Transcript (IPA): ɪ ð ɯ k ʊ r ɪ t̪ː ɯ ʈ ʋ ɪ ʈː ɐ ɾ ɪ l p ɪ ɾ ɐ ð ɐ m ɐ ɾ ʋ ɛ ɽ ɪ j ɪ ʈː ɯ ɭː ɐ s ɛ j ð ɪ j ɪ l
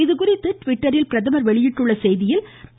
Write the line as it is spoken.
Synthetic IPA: ɪ ð ɯ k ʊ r ɪ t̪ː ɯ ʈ ʋ ɪ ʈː ɐ ɾ ɪ l p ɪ ɾ ɐ ð ɐ m ɐ ɾ ʋ ɛ ɭ ɪ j ɪ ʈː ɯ ɭː ɐ s ɛ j ð ɪ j ɪ l